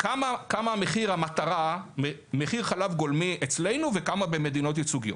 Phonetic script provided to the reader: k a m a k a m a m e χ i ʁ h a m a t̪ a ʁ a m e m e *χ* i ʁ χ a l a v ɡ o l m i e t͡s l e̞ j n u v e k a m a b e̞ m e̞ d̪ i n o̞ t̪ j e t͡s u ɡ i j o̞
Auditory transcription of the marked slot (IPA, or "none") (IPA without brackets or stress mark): χ